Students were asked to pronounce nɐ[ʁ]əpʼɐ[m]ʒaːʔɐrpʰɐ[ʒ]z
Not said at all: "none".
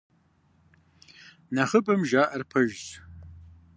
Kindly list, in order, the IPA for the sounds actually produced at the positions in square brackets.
χ, m, ʒ

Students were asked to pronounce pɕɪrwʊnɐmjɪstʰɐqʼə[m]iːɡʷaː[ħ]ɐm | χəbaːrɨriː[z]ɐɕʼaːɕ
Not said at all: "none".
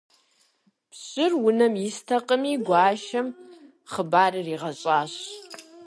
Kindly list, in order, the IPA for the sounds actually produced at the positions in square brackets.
m, ʃ, ʁ

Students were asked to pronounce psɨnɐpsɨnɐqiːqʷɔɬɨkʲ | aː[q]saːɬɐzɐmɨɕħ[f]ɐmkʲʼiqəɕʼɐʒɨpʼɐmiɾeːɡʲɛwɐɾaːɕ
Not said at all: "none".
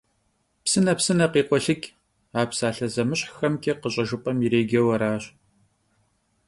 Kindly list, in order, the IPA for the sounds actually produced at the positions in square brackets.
p, x

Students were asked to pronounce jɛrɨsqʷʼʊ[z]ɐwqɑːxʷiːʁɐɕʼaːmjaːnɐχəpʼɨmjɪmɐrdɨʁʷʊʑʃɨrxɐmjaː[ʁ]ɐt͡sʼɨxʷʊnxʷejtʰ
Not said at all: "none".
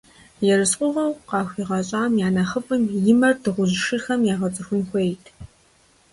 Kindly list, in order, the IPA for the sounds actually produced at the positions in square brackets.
ʁ, ʁ

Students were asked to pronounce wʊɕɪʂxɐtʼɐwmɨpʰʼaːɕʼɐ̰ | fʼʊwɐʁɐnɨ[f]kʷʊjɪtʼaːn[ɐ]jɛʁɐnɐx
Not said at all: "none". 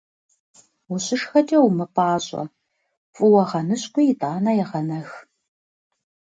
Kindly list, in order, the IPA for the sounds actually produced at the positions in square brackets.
ɕ, ɐ

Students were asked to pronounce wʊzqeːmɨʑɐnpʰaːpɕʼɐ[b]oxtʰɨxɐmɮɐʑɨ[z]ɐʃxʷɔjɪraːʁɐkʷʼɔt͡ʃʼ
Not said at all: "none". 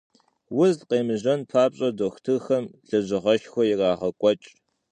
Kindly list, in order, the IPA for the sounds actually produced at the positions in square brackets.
d, ʁ

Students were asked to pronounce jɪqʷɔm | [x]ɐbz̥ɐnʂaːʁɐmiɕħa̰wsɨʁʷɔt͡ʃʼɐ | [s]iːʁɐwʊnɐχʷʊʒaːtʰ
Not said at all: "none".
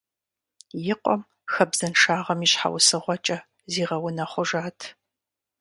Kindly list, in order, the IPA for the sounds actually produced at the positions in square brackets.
x, z

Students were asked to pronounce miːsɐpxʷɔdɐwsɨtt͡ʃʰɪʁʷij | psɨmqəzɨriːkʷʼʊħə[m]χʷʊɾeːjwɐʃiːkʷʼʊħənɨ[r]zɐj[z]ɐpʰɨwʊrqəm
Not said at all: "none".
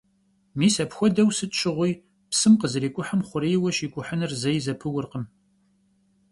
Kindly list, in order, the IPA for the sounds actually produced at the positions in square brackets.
m, r, z

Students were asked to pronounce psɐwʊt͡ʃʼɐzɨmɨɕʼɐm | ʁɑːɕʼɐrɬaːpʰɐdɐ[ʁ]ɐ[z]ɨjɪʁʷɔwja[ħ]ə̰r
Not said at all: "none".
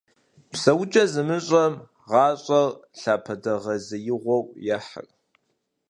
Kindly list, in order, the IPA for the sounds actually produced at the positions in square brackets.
ʁ, z, ħ

